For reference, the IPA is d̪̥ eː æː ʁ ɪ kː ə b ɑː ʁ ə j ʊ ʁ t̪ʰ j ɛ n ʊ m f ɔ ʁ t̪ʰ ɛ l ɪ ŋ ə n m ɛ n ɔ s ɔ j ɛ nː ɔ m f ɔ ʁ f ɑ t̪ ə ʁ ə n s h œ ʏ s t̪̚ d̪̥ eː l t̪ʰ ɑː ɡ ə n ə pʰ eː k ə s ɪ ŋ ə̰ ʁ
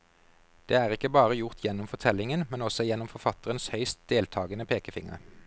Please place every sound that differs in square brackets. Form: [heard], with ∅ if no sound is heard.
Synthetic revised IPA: d̪̥ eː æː ʁ ɪ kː ə b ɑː ʁ ə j ʊ ʁ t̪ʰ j ɛ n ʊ m f ɔ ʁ t̪ʰ ɛ l ɪ ŋ ə n m ɛ n ɔ s ɔ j ɛ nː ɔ m f ɔ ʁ f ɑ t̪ ə ʁ ə n s h œ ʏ s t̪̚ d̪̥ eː l t̪ʰ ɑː ɡ ə n ə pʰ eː k ə [f] ɪ ŋ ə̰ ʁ